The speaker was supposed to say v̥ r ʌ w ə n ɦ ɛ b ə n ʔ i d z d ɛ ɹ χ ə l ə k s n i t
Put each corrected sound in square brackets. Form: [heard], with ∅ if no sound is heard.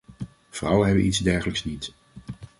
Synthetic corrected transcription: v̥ r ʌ w ə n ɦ ɛ b ə n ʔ i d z d ɛ ɹ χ ə l ə k s n i t